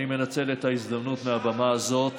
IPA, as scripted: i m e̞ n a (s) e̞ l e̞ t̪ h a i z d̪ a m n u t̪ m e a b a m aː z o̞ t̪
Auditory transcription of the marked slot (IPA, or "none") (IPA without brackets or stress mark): t͡s